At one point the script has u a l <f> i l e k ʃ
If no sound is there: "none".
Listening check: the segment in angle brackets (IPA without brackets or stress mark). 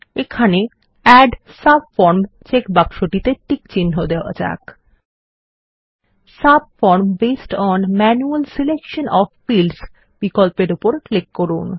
s